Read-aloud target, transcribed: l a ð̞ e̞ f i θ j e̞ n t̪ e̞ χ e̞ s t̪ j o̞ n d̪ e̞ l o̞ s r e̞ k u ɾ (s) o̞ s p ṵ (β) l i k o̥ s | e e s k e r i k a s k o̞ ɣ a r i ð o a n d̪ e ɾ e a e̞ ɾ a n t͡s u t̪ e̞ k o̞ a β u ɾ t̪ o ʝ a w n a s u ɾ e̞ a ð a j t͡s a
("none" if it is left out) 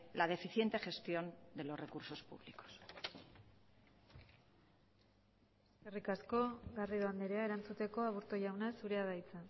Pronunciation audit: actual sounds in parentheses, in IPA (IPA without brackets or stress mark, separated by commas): s, β